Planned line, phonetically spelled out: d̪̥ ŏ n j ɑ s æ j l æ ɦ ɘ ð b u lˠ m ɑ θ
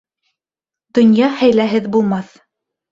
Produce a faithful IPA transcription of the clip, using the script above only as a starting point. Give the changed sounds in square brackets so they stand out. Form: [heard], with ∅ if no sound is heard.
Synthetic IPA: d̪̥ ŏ n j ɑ [h] æ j l æ ɦ ɘ ð b u lˠ m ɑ θ